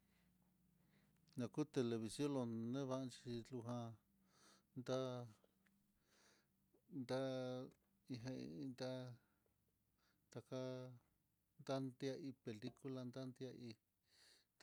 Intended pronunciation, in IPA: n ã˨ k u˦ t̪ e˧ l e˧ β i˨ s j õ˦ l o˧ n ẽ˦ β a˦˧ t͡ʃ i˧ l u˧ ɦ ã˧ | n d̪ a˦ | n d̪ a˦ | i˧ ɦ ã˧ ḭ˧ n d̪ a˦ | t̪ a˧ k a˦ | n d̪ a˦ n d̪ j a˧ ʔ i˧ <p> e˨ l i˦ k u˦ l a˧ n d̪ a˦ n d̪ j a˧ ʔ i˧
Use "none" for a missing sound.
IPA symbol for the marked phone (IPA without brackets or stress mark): p